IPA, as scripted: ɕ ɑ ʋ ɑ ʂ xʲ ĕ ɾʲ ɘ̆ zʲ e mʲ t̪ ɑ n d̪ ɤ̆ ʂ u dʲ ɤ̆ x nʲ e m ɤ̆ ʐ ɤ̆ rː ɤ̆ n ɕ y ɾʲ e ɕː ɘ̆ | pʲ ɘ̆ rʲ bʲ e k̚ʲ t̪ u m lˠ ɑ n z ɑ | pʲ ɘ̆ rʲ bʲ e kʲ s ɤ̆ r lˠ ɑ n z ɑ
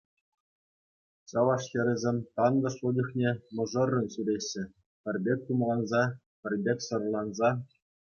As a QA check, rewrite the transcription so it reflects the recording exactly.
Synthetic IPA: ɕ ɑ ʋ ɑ ʂ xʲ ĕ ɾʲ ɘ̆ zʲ e mʲ t̪ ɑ n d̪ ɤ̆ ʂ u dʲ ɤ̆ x nʲ e m ɤ̆ ʐ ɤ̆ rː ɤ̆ n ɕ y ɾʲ e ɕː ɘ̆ | pʲ ɘ̆ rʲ bʲ e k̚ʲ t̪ u m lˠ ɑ n z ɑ | pʲ ɘ̆ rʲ bʲ e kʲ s ɤ̆ r lˠ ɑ n z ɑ